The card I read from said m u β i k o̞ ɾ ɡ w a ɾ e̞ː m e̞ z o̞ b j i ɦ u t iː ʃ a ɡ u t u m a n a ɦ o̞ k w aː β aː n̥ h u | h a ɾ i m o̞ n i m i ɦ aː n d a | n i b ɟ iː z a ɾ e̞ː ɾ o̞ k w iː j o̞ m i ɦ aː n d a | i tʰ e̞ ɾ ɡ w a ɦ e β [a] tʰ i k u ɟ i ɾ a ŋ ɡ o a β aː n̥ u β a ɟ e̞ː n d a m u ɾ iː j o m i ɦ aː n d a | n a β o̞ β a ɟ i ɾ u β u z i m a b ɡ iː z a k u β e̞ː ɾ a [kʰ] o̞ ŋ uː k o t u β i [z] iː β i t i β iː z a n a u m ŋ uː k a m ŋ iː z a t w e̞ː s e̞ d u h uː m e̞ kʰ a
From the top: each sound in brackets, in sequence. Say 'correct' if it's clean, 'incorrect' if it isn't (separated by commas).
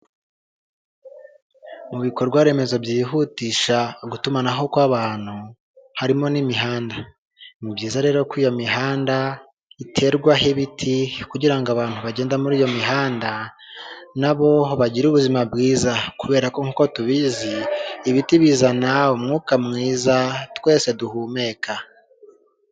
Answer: incorrect, incorrect, correct